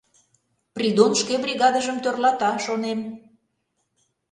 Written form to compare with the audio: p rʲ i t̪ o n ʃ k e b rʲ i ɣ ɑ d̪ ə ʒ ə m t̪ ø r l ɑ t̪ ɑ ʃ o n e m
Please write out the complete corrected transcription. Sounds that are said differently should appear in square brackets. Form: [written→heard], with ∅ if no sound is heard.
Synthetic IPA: p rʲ i [t̪→d̪] o n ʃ k e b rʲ i ɣ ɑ d̪ ə ʒ ə m t̪ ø r l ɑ t̪ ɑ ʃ o n e m